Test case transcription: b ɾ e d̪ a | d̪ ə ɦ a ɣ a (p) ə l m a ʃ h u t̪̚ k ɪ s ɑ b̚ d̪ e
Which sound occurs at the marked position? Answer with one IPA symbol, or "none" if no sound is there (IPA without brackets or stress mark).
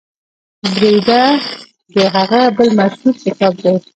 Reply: b